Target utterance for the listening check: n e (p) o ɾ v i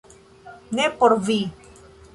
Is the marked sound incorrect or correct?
correct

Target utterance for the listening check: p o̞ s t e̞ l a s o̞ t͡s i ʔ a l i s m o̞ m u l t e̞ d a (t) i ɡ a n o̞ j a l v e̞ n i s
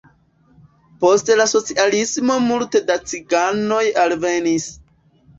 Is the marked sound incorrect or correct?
incorrect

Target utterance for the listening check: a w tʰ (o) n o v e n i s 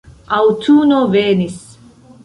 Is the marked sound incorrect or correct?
incorrect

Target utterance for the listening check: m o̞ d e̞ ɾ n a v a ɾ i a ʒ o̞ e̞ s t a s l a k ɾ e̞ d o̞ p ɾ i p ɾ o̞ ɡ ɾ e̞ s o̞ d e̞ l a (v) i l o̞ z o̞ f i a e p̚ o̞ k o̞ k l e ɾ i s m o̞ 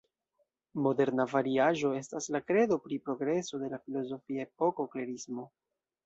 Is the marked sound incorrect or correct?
incorrect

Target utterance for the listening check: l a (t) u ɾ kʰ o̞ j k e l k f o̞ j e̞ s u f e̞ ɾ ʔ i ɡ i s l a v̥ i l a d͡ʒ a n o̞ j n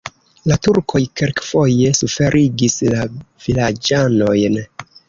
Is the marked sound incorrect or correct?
correct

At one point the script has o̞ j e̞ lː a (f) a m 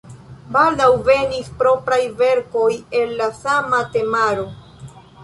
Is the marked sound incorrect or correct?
incorrect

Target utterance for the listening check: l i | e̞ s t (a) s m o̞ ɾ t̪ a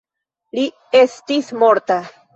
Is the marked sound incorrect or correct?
incorrect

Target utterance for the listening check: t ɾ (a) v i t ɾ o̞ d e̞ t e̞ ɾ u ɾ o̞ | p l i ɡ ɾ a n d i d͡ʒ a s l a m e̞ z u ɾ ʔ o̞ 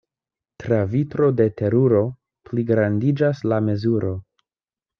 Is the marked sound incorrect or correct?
correct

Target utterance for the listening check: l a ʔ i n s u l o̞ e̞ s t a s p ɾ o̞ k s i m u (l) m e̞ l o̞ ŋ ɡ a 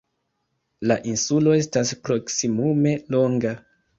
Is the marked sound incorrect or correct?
incorrect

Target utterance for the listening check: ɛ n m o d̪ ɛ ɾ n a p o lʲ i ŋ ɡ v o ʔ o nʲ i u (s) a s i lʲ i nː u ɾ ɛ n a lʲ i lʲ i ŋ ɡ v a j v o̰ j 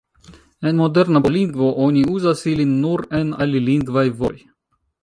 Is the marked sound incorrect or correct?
incorrect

